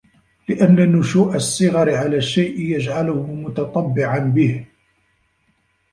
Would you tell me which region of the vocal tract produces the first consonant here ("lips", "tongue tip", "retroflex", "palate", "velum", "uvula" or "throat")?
tongue tip